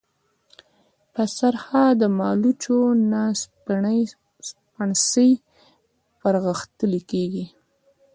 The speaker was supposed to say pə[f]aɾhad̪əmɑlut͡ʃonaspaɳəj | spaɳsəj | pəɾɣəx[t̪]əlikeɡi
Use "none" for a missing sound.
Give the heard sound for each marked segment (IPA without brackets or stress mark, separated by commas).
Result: s, t̪